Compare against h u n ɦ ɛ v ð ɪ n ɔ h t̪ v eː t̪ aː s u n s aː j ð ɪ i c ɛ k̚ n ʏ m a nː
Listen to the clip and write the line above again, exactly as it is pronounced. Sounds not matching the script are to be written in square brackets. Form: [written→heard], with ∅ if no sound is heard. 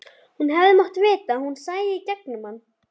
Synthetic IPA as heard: h u n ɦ ɛ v ð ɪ [n→m] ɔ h t̪ v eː t̪ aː [s→h] u n s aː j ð ɪ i c ɛ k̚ n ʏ m a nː